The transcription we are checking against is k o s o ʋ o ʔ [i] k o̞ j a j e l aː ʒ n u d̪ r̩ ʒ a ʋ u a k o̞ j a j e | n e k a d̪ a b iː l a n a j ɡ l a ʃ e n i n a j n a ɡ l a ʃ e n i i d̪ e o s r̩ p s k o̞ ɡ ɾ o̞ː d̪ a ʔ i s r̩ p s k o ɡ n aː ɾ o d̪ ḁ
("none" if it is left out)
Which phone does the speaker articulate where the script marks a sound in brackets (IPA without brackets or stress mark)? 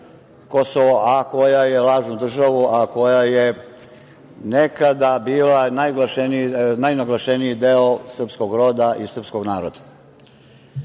a